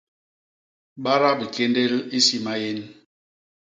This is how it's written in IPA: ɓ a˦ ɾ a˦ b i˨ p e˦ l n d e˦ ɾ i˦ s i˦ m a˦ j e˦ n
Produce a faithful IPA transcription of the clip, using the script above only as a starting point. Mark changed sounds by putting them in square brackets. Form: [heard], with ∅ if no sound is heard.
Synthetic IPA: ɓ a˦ ɾ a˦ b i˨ [k] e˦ [∅] n d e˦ [l] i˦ s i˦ m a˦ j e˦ n